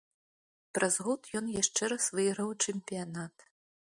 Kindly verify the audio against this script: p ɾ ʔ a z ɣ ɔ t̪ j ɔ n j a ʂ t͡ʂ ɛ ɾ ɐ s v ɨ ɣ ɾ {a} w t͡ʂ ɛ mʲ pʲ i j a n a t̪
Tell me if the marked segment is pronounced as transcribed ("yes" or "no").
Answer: no